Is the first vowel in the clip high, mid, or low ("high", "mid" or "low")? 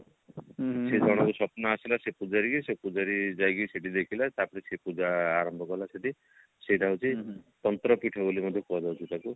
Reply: mid